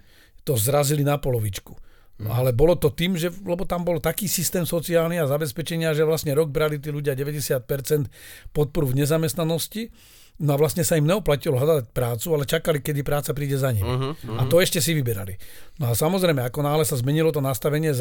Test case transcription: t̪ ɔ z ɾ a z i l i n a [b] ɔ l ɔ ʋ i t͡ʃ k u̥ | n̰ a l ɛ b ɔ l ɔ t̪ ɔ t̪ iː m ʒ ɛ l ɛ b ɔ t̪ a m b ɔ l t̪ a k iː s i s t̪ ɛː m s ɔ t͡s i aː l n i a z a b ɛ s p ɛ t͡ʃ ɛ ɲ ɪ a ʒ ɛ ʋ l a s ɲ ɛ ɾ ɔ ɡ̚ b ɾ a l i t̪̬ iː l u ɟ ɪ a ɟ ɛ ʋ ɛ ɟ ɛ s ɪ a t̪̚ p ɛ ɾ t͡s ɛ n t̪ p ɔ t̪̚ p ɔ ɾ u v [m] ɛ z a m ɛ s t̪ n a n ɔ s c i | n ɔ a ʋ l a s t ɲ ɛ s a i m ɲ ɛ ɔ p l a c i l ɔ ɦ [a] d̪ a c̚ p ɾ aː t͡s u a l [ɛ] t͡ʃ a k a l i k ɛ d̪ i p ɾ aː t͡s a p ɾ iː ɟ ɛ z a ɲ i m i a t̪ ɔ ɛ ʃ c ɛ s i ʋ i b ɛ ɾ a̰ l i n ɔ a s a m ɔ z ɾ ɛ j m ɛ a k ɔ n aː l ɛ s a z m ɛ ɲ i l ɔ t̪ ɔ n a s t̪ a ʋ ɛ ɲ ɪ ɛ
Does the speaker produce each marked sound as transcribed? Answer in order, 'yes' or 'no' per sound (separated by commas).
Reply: no, no, yes, yes